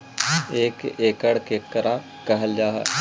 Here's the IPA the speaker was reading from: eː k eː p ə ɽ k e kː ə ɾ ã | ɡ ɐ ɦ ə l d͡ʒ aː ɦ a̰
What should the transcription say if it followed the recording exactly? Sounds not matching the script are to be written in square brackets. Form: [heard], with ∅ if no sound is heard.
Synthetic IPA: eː k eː [k] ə ɽ k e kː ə ɾ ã | [k] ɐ ɦ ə l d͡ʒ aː ɦ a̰